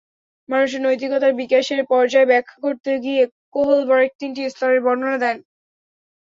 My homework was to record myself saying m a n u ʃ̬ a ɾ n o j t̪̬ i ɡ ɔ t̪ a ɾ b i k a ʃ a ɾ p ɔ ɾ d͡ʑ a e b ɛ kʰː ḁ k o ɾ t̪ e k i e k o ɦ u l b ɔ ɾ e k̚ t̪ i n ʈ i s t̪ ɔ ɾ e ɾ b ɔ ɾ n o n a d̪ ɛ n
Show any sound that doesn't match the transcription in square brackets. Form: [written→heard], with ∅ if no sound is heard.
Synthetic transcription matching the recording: m a n u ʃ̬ [a→e] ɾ n o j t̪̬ i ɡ ɔ t̪ a ɾ b i k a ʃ [a→e] ɾ p ɔ ɾ d͡ʑ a e b ɛ kʰː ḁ k o ɾ t̪ e [k→ɡ] i e k o ɦ [u→o] l b ɔ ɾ e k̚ t̪ i n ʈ i s t̪ ɔ ɾ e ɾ b ɔ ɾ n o n a d̪ ɛ n